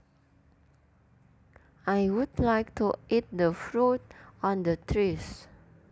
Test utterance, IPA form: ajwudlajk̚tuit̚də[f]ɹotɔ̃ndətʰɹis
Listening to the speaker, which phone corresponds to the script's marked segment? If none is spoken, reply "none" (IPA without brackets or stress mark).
f